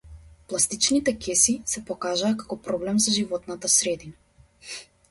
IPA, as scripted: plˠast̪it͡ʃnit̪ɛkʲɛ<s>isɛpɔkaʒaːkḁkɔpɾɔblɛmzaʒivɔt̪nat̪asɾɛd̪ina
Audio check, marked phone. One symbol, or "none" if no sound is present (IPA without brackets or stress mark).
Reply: s